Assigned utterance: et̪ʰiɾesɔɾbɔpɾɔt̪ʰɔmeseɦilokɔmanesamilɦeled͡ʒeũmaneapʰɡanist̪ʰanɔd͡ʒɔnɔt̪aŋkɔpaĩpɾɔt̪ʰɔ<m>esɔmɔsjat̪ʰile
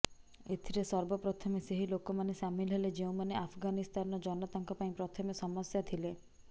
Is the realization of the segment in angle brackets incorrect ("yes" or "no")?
no